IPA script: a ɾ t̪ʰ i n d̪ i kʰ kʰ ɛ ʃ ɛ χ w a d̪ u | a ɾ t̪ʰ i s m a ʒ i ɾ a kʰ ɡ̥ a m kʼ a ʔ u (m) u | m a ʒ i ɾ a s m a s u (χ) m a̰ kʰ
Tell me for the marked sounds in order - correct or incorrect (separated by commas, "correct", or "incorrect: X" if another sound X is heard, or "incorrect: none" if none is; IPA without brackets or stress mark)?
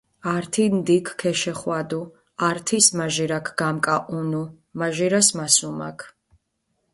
incorrect: n, incorrect: none